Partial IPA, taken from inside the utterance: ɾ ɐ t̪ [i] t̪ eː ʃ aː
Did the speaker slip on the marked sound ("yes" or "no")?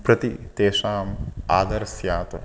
no